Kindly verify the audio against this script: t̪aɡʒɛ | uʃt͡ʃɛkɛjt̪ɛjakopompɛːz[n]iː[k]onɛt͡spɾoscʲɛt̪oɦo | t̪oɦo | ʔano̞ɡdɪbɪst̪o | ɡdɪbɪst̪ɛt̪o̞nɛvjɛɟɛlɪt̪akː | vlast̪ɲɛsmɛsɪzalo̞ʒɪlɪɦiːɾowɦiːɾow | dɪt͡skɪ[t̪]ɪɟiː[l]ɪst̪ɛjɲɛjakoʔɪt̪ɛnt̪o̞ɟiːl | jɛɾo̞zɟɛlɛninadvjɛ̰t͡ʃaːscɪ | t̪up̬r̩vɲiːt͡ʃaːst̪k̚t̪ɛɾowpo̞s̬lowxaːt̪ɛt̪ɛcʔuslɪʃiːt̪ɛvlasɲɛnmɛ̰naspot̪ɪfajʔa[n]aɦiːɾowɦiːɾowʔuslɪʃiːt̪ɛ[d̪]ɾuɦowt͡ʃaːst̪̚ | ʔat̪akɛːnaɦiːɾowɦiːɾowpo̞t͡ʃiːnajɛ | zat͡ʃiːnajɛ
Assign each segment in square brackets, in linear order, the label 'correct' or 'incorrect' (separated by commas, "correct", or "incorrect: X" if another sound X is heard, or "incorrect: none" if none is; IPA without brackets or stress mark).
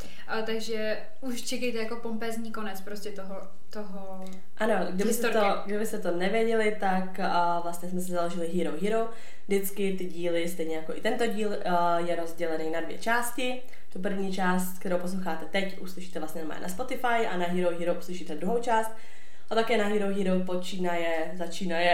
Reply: incorrect: ɲ, correct, correct, correct, correct, correct